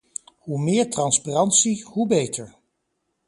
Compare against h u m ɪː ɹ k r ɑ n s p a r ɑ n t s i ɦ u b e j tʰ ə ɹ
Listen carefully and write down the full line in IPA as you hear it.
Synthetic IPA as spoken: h u m ɪː ɹ t r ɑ n s p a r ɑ n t s i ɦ u b e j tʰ ə ɹ